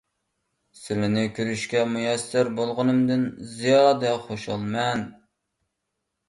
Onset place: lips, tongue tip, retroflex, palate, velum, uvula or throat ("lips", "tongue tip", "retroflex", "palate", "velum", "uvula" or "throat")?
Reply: tongue tip